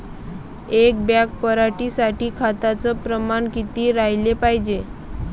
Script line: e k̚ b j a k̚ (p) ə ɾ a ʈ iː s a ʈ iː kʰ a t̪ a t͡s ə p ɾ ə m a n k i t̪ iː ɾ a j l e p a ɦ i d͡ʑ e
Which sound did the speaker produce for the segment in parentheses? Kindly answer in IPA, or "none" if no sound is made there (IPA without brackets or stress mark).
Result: p